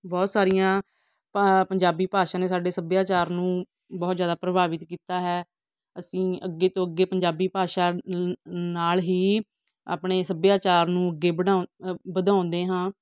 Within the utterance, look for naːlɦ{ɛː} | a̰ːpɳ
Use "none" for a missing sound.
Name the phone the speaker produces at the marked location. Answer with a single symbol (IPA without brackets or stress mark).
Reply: iː